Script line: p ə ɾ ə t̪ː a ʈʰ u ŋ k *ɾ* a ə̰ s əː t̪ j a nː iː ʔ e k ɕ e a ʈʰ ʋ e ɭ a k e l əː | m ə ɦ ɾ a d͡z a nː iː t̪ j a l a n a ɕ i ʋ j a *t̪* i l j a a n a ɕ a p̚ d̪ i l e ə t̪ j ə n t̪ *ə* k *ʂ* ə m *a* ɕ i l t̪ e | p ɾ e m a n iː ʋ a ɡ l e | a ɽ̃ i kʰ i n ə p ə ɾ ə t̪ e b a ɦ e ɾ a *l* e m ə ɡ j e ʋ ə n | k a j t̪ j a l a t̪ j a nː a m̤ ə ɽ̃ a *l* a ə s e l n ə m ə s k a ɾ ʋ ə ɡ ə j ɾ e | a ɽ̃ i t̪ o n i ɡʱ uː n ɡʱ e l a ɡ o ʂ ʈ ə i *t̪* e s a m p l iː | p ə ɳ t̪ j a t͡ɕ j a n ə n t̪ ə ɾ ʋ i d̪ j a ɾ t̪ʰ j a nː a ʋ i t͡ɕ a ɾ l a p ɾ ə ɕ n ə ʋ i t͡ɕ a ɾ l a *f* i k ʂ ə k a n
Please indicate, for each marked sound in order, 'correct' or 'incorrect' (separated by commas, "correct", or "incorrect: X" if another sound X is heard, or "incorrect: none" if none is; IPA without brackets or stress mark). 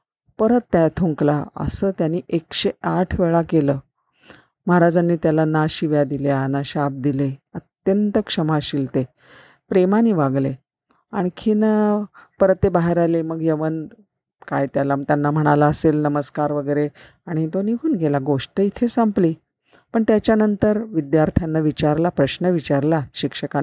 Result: incorrect: l, incorrect: d̪, correct, correct, correct, correct, correct, incorrect: t̪ʰ, incorrect: ɕ